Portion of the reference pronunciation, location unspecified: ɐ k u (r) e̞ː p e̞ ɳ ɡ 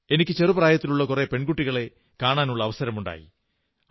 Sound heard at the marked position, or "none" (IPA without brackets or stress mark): r